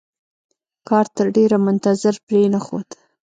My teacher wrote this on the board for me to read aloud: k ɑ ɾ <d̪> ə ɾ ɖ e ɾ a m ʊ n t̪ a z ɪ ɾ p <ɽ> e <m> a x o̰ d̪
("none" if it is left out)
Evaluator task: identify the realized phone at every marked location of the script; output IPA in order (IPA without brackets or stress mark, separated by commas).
t̪, ɾ, n